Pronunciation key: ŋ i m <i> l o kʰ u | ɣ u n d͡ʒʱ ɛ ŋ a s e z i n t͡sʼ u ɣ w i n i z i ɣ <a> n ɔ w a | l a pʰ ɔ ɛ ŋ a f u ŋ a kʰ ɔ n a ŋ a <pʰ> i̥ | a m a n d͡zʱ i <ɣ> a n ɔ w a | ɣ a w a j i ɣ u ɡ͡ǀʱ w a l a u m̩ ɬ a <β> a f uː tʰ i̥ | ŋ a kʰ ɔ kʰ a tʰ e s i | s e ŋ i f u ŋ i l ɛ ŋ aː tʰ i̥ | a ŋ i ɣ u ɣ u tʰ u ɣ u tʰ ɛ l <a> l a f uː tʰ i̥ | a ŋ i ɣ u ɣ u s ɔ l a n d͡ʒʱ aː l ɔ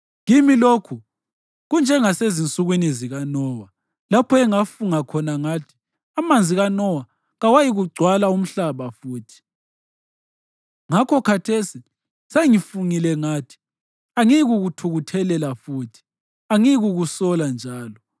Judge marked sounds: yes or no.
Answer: yes, yes, no, yes, yes, no

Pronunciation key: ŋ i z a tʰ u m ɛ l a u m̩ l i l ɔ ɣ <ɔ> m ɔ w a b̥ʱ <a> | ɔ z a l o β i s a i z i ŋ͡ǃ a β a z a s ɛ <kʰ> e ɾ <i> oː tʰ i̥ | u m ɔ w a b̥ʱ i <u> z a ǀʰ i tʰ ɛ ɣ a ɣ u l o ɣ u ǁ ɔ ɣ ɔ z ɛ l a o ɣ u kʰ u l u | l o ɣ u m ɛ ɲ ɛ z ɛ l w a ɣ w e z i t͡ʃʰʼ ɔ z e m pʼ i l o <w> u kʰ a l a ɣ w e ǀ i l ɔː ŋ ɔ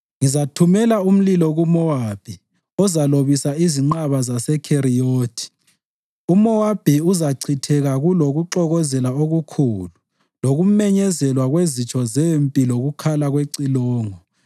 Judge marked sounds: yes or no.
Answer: no, no, yes, yes, yes, no

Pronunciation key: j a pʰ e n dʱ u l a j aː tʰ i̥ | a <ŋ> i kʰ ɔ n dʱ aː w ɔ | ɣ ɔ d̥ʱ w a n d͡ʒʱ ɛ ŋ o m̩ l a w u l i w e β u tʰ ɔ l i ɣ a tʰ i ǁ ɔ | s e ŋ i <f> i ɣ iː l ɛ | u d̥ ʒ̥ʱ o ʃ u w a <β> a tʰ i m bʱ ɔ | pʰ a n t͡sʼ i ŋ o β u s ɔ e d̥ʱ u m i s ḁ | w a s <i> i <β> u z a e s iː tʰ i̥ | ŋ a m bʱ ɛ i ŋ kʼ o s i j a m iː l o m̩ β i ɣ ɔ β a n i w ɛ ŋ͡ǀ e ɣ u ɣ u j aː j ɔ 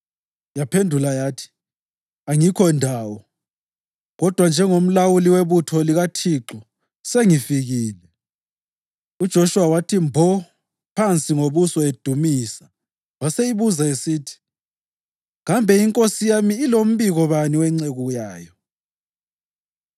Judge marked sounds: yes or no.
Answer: yes, yes, no, no, yes

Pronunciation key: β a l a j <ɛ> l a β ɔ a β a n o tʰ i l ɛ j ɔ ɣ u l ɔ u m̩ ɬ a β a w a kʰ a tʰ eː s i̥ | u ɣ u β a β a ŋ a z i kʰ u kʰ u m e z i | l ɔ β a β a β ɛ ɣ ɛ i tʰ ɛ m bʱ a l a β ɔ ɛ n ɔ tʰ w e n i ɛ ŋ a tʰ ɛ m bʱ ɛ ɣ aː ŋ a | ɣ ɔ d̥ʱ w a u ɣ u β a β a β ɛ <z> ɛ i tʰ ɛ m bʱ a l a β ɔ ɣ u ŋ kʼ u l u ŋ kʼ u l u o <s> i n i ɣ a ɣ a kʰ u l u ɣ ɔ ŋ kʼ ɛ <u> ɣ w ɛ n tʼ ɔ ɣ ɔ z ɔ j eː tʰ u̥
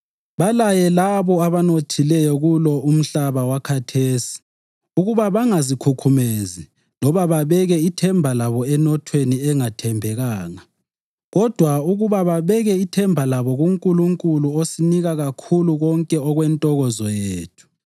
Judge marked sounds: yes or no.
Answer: yes, no, yes, no

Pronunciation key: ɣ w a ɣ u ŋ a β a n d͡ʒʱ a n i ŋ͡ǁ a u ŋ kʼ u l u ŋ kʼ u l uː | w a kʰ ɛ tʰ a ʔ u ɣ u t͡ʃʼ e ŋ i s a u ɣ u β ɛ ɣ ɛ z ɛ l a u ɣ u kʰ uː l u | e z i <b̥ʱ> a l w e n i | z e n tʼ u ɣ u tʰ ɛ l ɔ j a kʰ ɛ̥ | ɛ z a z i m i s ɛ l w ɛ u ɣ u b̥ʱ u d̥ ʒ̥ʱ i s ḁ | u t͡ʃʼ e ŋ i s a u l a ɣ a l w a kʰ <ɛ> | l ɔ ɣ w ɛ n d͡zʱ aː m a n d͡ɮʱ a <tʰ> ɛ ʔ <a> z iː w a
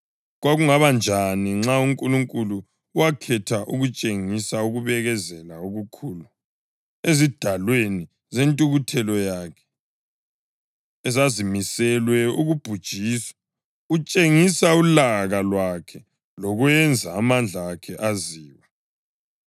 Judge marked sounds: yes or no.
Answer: no, yes, no, yes

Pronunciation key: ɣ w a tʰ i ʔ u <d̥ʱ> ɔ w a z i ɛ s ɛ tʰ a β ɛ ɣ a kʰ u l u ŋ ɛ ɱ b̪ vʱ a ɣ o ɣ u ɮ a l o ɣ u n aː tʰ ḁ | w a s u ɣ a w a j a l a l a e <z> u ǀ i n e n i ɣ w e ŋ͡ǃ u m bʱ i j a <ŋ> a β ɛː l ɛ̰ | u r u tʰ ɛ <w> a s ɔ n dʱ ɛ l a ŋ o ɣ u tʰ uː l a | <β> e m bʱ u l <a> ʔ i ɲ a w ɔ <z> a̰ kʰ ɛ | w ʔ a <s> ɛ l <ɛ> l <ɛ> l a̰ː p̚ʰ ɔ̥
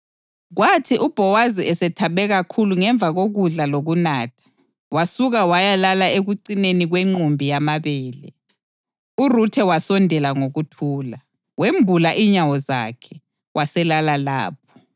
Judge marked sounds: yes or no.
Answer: no, no, no, yes, no, yes, yes, yes, no, no

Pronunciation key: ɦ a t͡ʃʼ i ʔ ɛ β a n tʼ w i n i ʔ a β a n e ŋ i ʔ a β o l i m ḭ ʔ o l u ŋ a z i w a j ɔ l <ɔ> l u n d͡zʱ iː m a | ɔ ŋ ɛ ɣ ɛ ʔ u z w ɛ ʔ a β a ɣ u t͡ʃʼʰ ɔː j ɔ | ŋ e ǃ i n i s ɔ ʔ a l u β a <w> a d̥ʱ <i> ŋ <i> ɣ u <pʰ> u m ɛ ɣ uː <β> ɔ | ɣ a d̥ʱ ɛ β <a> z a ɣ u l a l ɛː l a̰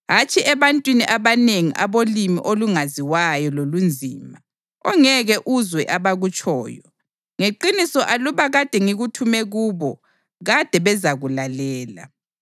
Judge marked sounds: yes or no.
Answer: no, no, no, yes, no, yes, no

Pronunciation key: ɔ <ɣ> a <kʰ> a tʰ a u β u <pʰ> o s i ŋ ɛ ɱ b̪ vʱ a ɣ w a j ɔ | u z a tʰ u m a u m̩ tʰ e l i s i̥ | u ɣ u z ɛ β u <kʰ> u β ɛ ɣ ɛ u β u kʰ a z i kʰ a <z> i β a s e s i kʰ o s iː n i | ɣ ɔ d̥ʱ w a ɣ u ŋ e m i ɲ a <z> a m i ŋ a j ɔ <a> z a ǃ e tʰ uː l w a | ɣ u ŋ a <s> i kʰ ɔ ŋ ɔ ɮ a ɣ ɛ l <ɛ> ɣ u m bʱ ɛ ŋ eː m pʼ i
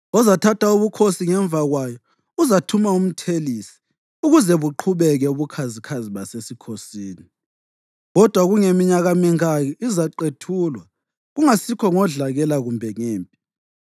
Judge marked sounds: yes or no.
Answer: no, no, no, no, yes, no, no, yes, no

